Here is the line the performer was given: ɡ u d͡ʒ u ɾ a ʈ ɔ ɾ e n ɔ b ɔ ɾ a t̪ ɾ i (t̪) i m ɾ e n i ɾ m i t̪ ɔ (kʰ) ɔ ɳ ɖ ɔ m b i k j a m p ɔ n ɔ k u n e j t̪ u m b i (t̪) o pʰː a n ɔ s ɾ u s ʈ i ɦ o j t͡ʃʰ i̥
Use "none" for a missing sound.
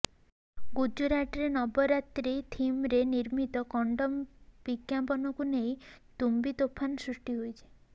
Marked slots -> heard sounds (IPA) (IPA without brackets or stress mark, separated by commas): t̪ʰ, k, t̪